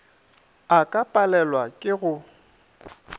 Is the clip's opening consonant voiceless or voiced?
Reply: voiceless